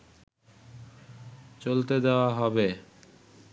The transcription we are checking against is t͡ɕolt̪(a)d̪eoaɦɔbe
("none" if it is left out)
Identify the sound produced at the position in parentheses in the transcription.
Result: e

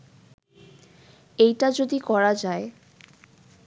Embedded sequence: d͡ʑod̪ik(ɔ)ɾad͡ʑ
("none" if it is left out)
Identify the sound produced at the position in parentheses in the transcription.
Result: ɔ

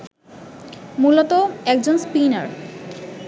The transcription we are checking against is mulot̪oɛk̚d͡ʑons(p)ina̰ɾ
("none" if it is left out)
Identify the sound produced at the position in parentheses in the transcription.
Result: p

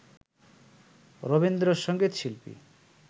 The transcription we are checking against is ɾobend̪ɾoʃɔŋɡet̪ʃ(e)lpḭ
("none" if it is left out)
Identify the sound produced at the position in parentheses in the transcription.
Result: i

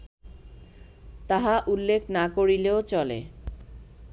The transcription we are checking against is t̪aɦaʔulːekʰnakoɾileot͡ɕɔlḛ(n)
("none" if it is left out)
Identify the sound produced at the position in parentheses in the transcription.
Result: none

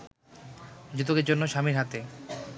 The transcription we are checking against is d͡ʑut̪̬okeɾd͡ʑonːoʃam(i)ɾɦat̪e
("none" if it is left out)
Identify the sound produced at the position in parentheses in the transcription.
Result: i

